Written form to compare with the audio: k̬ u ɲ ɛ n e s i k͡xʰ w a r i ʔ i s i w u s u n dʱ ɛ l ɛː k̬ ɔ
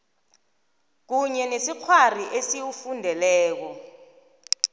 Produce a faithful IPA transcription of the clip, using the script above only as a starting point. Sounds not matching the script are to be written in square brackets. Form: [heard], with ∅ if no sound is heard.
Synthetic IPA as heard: k̬ u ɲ ɛ n e s i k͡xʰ w a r i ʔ [e] s i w u [f] u n dʱ ɛ l ɛː k̬ ɔ